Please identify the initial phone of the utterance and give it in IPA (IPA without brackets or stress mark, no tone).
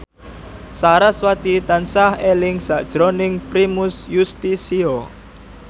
s